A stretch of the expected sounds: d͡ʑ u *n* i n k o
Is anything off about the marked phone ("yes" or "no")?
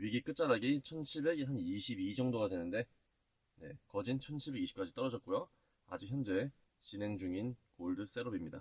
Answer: yes